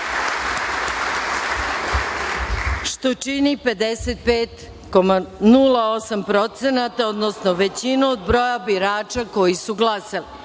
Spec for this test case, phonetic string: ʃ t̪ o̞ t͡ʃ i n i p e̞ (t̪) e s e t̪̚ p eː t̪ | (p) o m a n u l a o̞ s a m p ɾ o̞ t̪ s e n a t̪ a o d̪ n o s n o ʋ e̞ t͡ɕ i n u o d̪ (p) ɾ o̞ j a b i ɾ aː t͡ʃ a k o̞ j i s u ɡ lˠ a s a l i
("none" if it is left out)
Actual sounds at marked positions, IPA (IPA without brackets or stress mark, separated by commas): d̪, k, b